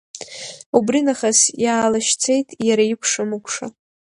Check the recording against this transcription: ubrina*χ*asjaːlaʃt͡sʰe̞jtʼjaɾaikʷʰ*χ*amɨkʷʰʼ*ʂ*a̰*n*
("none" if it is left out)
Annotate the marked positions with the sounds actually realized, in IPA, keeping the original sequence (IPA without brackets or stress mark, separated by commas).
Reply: χ, ʂ, ʂ, none